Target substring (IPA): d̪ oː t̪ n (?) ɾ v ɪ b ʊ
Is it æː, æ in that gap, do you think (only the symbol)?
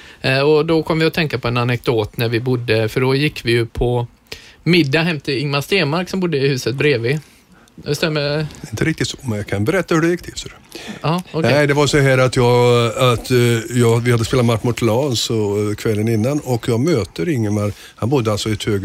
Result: æ